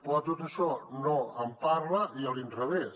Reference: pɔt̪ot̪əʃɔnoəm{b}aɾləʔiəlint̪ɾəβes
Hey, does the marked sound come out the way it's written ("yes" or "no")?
no